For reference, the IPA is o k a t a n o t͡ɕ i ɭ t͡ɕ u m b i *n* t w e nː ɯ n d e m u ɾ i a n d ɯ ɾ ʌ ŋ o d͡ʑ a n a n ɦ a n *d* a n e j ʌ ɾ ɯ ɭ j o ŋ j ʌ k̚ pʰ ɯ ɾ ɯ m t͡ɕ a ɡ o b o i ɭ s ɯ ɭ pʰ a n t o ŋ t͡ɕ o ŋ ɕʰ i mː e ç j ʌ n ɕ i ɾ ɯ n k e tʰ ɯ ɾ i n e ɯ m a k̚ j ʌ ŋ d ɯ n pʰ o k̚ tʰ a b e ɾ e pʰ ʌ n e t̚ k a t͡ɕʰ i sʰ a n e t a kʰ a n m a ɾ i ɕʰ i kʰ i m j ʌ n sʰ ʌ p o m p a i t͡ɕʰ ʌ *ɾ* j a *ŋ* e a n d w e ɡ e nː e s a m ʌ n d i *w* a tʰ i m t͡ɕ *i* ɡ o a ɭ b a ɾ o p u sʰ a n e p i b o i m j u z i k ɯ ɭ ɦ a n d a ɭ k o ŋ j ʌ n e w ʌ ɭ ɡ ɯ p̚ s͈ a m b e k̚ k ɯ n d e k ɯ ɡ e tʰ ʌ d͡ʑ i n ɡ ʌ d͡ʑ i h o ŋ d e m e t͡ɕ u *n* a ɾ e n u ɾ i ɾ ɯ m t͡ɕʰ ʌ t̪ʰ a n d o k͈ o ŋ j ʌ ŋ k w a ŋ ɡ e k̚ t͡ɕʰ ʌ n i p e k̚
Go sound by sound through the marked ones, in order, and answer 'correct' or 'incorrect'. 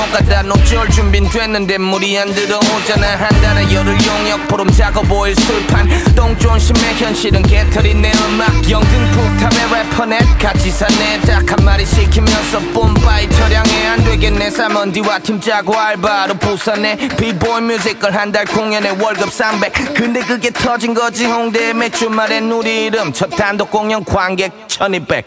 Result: correct, correct, correct, correct, correct, incorrect, incorrect

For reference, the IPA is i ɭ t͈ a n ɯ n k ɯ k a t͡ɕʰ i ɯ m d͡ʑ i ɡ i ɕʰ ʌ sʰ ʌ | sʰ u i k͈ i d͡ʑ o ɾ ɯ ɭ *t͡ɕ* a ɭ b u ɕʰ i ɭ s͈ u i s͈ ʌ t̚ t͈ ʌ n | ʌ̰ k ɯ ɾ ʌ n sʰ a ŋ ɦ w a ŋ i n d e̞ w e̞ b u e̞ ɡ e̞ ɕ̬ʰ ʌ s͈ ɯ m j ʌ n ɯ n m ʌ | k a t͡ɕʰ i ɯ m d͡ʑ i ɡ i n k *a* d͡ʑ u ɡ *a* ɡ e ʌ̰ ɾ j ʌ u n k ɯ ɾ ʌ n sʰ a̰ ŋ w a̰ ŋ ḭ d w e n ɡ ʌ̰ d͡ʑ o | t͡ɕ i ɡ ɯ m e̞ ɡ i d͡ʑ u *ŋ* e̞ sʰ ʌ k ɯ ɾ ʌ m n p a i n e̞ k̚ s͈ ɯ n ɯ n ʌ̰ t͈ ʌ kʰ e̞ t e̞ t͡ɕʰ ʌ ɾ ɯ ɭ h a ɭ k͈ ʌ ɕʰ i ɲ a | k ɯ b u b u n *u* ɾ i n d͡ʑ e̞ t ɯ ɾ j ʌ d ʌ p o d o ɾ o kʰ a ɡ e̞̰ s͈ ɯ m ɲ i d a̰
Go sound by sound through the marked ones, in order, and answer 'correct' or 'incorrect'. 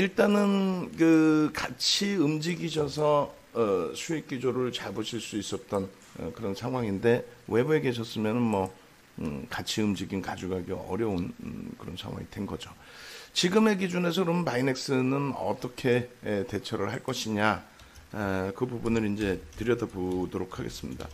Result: correct, correct, correct, incorrect, incorrect

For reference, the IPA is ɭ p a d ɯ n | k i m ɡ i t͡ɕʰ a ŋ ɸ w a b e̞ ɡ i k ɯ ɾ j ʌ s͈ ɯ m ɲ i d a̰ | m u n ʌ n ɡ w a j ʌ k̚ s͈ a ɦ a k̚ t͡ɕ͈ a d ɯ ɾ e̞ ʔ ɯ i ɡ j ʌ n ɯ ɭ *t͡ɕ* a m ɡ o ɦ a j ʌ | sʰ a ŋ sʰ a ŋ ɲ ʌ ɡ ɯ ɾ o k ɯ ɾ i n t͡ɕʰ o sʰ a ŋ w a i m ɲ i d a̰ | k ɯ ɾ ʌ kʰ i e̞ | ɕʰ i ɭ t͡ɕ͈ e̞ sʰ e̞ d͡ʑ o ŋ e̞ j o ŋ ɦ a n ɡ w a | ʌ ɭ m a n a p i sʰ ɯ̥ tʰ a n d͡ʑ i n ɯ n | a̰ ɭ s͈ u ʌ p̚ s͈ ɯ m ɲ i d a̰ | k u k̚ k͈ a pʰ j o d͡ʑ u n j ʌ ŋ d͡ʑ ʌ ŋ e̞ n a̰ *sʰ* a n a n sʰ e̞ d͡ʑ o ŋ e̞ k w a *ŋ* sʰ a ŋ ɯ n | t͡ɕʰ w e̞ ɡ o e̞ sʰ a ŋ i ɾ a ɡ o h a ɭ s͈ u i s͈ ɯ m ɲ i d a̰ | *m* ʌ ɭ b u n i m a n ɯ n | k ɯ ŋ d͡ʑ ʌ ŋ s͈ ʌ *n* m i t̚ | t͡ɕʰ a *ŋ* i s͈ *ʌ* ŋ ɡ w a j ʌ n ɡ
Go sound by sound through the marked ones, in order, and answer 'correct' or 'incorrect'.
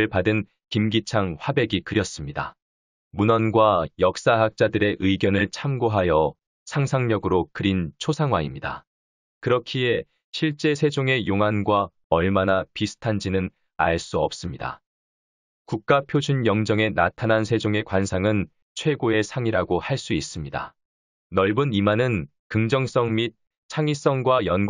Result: incorrect, incorrect, incorrect, incorrect, incorrect, correct, correct

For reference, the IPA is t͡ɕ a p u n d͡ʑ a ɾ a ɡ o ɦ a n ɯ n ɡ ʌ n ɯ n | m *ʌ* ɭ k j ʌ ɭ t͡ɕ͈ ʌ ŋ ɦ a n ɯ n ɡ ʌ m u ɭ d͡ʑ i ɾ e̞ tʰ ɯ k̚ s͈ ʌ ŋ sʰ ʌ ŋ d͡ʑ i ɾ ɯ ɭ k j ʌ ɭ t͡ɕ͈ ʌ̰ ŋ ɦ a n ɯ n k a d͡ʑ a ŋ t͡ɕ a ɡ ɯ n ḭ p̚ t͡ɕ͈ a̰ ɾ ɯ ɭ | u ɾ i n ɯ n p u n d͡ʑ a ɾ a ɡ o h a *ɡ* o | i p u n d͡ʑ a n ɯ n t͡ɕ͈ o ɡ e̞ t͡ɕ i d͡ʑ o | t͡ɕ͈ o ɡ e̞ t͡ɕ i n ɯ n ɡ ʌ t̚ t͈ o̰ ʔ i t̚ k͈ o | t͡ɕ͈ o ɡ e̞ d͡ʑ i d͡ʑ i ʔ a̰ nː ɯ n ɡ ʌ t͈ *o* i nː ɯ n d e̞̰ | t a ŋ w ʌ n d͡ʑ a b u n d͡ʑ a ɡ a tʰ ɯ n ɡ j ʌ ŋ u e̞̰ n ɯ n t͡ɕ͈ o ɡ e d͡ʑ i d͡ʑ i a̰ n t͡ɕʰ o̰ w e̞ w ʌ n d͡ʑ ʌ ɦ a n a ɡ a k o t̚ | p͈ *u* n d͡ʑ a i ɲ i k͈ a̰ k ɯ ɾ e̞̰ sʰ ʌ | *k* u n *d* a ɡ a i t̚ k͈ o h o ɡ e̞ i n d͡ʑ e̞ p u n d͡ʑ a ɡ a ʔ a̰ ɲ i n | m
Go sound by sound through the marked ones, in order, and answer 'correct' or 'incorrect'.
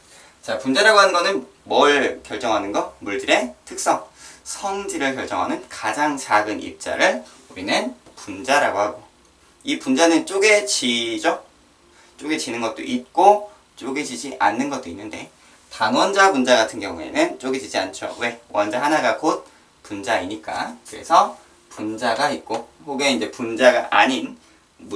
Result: correct, correct, correct, correct, incorrect, incorrect

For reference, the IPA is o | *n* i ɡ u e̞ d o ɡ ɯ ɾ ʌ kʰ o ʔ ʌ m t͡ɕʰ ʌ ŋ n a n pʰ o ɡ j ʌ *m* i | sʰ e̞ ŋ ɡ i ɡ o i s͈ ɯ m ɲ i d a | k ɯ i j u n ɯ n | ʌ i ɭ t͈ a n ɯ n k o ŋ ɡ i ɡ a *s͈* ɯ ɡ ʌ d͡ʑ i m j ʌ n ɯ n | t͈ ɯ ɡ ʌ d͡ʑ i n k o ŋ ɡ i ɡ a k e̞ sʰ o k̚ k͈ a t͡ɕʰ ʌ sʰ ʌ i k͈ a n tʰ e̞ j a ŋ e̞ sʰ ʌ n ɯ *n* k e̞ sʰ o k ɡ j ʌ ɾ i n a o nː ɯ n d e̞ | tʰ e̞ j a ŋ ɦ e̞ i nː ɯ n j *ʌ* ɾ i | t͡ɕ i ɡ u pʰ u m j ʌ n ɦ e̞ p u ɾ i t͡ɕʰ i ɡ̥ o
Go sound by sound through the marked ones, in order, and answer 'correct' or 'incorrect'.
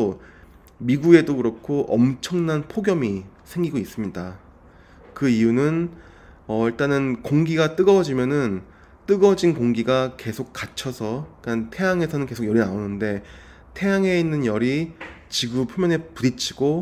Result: incorrect, correct, incorrect, correct, correct

